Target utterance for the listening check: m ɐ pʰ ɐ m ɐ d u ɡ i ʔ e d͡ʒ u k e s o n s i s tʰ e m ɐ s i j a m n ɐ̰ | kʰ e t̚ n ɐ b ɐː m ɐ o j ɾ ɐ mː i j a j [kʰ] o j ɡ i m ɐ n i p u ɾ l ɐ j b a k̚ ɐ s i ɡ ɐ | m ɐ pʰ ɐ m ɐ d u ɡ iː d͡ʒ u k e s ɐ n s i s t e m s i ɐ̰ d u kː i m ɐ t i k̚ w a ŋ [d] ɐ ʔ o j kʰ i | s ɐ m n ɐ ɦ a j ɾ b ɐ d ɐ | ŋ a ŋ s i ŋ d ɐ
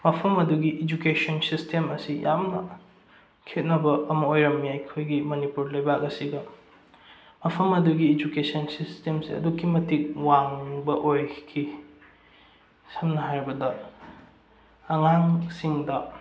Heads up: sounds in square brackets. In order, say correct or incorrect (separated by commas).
correct, incorrect